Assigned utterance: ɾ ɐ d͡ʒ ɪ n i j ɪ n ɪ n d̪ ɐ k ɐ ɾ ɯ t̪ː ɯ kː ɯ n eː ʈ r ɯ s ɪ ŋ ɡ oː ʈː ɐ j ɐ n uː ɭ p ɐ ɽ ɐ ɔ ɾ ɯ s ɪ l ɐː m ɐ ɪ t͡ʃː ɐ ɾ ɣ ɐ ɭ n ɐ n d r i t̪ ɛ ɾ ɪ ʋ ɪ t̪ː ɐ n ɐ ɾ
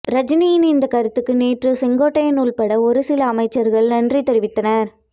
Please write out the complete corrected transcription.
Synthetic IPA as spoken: ɾ ɐ d͡ʒ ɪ n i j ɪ n ɪ n d̪ ɐ k ɐ ɾ ɯ t̪ː ɯ kː ɯ n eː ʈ r ɯ s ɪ ŋ ɡ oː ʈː ɐ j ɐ n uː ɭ p ɐ ɽ ɐ ɔ ɾ ɯ s ɪ l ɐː m ɐ ɪ t͡ʃː ɐ ɾ ɣ ɐ ɭ n ɐ n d r i t̪ ɛ ɾ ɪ ʋ ɪ t̪ː ɐ n ɐ ɾ